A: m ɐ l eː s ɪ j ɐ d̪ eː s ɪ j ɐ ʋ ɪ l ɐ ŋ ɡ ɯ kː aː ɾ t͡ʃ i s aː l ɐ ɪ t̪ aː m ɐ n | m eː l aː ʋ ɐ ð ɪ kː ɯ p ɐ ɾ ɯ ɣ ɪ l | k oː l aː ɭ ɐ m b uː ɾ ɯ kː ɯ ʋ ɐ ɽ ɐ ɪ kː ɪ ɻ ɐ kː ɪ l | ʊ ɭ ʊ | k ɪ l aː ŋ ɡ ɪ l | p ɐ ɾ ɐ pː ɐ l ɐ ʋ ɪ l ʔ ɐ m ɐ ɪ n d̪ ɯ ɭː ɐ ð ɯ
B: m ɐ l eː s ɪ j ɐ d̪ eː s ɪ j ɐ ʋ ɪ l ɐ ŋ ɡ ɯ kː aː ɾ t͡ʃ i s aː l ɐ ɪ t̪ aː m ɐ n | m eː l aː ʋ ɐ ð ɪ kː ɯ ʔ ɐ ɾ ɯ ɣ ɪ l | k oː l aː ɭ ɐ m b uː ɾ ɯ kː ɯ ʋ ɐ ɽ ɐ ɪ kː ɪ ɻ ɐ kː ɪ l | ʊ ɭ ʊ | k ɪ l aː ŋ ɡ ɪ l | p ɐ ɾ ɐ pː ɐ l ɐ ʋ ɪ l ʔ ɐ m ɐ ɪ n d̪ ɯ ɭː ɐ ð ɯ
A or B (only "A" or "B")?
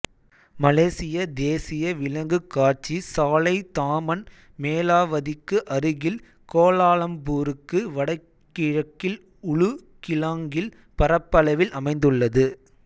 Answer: B